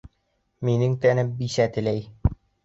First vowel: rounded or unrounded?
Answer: unrounded